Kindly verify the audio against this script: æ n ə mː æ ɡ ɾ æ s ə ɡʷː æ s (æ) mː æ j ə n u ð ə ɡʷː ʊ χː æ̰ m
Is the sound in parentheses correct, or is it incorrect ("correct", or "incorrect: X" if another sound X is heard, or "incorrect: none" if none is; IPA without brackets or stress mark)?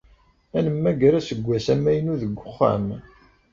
correct